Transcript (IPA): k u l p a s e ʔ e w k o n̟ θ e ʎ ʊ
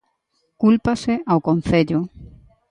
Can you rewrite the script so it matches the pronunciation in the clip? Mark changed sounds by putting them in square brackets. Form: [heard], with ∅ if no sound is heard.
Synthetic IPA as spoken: k u l p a s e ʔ [a] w k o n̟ θ e ʎ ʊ